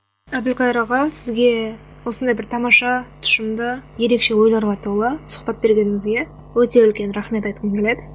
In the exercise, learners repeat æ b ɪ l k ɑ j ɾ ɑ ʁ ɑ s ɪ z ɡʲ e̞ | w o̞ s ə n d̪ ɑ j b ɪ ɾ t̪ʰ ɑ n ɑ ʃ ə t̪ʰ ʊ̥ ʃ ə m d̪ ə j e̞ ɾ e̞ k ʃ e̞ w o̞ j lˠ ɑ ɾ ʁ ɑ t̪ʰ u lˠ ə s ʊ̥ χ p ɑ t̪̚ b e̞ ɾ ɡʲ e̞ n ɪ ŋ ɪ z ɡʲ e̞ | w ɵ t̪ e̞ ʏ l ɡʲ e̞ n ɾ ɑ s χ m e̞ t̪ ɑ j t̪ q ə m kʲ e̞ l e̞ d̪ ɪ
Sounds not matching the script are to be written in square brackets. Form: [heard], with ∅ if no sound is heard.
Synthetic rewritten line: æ b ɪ l k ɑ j ɾ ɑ ʁ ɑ s ɪ z ɡʲ e̞ | w o̞ s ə n d̪ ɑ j b ɪ ɾ t̪ʰ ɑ [m] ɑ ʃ [ɑ] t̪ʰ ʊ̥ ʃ ə m d̪ ə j e̞ ɾ e̞ k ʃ e̞ w o̞ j lˠ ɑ ɾ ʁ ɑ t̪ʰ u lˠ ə s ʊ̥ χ p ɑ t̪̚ b e̞ ɾ ɡʲ e̞ n ɪ ŋ ɪ z ɡʲ e̞ | w ɵ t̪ e̞ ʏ l [kʲ] e̞ n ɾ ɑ [∅] χ m e̞ t̪ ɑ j t̪ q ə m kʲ e̞ l e̞ d̪ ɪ